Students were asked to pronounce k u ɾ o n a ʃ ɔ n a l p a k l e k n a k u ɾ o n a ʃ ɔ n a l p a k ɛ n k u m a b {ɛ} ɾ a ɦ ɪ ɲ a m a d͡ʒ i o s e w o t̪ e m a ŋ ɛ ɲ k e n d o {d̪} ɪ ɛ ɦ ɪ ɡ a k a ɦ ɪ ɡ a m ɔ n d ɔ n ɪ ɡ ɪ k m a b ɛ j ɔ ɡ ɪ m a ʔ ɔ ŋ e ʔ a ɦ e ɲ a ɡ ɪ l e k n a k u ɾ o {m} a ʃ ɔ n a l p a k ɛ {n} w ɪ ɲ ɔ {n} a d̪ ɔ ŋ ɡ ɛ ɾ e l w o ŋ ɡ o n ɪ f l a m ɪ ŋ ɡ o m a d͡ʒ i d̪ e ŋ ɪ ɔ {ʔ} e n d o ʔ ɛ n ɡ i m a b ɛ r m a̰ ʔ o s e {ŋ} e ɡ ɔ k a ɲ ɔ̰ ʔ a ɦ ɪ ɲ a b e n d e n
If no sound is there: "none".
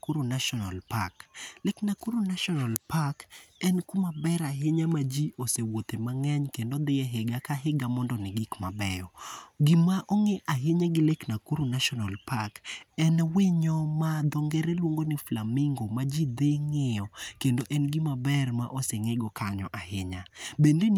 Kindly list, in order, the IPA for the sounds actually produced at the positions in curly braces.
ɛ, d̪, n, n, m, k, ŋ

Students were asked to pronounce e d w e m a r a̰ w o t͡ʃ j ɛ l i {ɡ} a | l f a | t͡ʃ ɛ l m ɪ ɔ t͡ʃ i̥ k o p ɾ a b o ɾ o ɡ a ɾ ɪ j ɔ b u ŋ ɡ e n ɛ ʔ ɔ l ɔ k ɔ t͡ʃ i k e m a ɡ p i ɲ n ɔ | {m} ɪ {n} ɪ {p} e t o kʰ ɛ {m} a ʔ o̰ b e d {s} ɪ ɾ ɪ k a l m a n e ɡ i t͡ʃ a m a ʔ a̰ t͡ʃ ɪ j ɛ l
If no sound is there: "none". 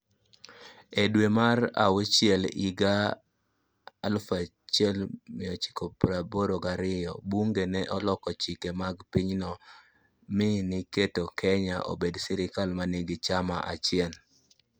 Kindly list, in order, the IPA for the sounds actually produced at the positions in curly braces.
ɡ, m, n, k, ɲ, s

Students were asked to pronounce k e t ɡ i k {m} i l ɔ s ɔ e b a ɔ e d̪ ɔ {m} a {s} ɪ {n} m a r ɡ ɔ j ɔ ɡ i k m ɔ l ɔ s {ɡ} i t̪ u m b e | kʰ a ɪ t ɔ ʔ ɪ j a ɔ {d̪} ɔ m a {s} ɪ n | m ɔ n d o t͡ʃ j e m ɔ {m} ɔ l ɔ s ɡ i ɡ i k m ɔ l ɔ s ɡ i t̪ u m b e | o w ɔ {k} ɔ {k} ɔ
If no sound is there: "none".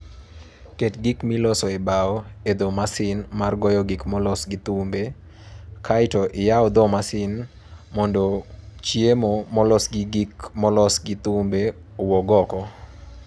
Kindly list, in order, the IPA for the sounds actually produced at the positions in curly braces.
m, m, s, n, ɡ, d̪, s, m, ɡ, k

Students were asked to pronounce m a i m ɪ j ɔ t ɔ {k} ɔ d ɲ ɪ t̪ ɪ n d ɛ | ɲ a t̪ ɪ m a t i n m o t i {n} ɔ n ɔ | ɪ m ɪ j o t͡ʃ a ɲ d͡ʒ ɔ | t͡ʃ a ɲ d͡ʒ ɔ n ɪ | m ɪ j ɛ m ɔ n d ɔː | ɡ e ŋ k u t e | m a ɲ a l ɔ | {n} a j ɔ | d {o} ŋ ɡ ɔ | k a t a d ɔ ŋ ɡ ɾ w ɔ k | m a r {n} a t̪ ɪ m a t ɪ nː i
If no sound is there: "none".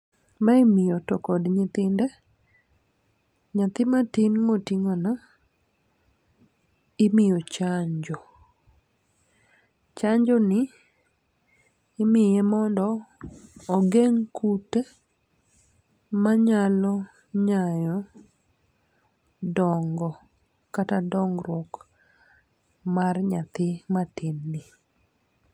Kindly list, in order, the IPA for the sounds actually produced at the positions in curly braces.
k, ŋ, ɲ, ɔ, ɲ

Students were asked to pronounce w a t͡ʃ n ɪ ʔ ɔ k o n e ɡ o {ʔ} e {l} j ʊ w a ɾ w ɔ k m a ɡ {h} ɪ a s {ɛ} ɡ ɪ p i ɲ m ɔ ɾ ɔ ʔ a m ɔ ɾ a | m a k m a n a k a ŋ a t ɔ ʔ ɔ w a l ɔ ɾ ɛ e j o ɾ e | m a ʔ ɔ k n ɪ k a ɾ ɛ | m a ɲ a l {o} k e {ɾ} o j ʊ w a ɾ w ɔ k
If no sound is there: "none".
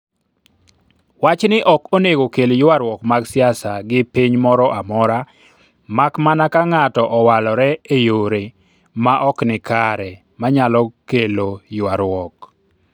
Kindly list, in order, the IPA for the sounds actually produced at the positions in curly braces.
k, l, s, a, ɔ, l

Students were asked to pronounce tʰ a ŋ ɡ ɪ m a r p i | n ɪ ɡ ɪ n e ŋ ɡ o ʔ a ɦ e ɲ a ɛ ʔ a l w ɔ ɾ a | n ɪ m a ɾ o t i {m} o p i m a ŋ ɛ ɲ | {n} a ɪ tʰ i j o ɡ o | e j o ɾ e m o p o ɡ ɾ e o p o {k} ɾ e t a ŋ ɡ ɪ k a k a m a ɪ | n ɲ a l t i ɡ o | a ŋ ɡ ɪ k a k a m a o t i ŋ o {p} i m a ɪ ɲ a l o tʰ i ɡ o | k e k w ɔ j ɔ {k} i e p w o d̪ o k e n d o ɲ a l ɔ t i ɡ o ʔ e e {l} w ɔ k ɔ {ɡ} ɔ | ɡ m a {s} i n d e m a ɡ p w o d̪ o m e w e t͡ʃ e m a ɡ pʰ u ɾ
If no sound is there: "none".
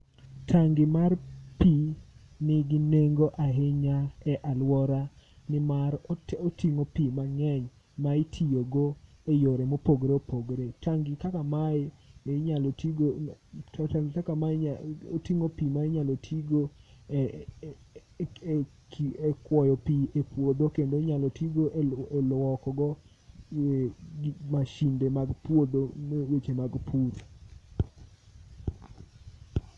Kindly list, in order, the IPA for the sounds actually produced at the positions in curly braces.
ŋ, m, ɡ, p, p, l, ɡ, ʃ

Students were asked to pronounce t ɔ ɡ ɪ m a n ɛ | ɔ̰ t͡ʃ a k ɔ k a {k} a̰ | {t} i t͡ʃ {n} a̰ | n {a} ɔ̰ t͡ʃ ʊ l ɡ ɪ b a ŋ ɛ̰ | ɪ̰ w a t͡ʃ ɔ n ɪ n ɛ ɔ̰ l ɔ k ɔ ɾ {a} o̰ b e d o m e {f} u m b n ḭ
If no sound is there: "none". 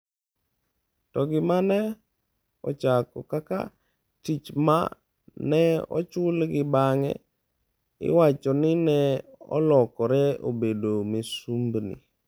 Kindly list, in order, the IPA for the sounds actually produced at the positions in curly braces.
k, t, m, ɛ, ɛ, s

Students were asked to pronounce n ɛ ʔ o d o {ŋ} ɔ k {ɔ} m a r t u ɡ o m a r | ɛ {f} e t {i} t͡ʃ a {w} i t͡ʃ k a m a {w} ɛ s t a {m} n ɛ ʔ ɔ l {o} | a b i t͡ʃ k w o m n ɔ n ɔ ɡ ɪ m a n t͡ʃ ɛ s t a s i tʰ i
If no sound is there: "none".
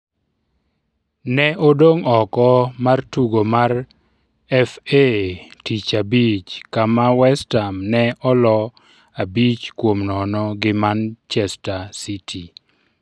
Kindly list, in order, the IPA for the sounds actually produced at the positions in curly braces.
ŋ, ɔ, f, i, b, w, m, ɔ

